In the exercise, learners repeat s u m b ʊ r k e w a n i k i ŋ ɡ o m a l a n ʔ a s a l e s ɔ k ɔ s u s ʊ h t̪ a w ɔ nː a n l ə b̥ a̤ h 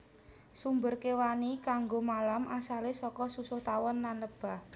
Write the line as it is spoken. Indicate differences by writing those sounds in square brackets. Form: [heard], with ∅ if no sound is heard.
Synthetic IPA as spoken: s u m b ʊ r k e w a n i k [a] ŋ ɡ o m a l a [m] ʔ a s a l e s ɔ k ɔ s u s ʊ h t̪ a w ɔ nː a n l ə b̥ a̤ h